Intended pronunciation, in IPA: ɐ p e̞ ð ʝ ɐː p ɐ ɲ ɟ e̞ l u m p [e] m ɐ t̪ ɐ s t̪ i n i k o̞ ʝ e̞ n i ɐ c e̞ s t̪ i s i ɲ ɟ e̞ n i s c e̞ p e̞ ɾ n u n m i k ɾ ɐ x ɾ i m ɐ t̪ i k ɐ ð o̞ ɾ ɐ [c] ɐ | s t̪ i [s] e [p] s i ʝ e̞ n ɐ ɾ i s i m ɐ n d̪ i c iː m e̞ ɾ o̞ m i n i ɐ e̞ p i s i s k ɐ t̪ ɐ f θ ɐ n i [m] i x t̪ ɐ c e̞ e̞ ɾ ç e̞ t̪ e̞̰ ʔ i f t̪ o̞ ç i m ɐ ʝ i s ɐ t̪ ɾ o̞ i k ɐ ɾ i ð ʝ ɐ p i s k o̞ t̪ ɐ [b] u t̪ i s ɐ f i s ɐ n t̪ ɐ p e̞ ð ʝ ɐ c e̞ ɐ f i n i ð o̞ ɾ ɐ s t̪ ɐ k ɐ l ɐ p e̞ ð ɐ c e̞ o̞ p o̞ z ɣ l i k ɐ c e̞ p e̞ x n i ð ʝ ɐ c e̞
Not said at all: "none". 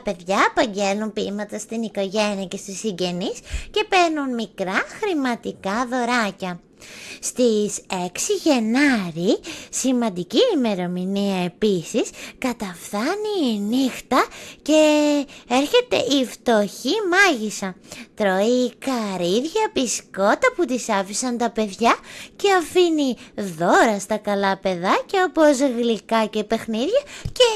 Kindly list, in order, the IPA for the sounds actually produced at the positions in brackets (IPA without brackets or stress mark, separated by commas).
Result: i, c, s, k, n, p